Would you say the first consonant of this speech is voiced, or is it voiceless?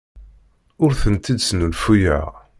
voiced